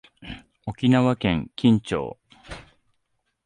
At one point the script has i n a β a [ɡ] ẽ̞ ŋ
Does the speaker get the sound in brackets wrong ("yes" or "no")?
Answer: yes